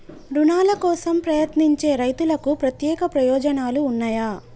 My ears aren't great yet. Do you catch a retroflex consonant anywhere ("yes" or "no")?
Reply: no